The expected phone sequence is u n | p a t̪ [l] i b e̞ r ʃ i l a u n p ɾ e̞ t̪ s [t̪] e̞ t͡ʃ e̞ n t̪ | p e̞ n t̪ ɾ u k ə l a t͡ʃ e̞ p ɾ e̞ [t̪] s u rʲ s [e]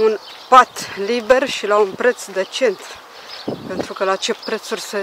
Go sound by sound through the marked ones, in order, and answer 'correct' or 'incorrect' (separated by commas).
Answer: correct, incorrect, correct, correct